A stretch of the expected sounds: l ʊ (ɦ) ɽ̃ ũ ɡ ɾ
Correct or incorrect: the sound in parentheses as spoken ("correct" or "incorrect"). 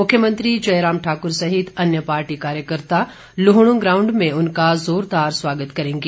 correct